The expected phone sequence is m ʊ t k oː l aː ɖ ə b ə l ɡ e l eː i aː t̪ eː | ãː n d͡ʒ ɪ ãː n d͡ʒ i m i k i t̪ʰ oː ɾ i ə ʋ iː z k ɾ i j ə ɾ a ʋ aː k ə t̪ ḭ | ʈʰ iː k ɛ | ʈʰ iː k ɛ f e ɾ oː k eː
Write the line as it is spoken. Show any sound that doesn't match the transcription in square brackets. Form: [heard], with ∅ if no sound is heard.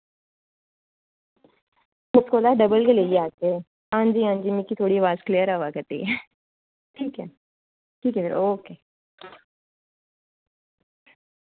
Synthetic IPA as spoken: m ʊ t k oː l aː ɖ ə b ə l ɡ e l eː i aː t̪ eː | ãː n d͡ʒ [i] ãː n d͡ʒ i m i k i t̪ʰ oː [ɽ] i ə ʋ [aː] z k [l] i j ə ɾ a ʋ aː k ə t̪ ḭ | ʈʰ iː k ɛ | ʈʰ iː k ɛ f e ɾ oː k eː